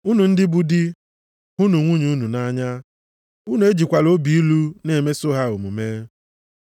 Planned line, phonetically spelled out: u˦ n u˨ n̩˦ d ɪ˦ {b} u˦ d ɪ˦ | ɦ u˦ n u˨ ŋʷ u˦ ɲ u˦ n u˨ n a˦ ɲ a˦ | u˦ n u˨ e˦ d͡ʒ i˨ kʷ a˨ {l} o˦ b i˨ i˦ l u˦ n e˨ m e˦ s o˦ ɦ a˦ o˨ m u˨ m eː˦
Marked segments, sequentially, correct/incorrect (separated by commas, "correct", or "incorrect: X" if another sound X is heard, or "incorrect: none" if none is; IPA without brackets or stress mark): correct, correct